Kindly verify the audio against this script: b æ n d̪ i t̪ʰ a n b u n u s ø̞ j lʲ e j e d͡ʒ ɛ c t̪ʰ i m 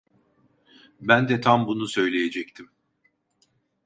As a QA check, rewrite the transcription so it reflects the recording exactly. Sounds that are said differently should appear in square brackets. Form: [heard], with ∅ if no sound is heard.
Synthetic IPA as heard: b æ n d̪ [ɛ] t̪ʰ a [m] b u n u s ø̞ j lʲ e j e d͡ʒ ɛ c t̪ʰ i m